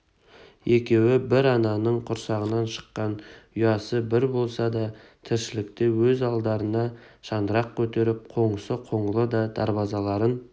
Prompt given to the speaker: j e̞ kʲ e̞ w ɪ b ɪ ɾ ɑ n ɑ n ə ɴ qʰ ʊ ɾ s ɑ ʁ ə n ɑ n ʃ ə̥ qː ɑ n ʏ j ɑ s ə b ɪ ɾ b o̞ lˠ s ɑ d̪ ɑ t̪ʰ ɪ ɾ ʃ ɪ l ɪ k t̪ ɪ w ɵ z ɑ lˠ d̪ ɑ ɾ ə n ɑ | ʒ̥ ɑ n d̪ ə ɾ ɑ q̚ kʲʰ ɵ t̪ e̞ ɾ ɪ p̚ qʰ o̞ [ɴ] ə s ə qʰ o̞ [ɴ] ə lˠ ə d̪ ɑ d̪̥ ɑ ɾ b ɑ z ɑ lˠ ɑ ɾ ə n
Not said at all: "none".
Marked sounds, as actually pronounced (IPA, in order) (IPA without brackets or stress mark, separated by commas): ɴ, ɴ